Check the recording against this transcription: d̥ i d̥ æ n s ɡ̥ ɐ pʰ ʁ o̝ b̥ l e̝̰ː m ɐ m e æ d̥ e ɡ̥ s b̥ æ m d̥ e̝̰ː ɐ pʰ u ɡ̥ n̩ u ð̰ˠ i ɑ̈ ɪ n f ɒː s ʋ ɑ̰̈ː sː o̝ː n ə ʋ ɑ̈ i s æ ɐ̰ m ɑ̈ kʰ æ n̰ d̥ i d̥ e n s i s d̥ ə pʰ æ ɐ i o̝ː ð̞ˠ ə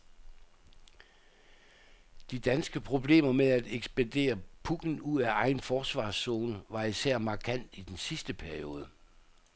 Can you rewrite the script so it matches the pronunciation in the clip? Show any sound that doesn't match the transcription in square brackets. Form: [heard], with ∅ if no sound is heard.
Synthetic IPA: d̥ i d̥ æ n s ɡ̥ [ə] pʰ ʁ o̝ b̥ l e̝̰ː m ɐ m e æ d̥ e ɡ̥ s b̥ æ [n] d̥ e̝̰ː ɐ pʰ u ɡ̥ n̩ u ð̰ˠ [æ] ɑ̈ ɪ n f ɒː s ʋ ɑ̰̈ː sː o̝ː n ə ʋ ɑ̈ i s æ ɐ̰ m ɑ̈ kʰ æ n̰ d̥ i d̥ e n s i s d̥ ə pʰ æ ɐ i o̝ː ð̞ˠ ə

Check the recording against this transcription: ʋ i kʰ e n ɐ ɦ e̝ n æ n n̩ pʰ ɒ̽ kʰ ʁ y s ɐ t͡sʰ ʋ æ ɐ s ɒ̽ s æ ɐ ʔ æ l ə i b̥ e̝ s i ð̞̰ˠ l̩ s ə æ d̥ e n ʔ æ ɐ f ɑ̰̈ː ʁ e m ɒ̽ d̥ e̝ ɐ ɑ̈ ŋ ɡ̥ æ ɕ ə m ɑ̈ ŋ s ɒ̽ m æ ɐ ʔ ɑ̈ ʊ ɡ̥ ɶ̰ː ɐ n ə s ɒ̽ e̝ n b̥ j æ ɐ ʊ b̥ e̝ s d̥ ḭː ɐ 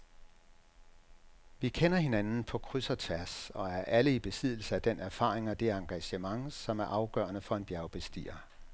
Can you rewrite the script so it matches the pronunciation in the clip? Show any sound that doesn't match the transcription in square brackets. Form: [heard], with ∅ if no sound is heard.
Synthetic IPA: ʋ i kʰ e n ɐ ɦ e̝ n æ n n̩ pʰ ɒ̽ kʰ ʁ y s ɐ t͡sʰ ʋ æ ɐ s ɒ̽ [∅] æ ɐ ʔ æ l ə i b̥ e̝ s i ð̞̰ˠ l̩ s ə æ d̥ e n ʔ æ ɐ f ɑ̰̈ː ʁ e [ŋ] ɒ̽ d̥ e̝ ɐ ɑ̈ ŋ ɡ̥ æ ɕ ə m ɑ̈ ŋ s ɒ̽ m æ ɐ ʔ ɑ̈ ʊ ɡ̥ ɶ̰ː ɐ n ə [f] ɒ̽ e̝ n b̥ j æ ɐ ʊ b̥ e̝ s d̥ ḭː ɐ

